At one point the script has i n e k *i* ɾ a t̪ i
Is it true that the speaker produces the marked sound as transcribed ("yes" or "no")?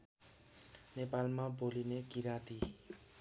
yes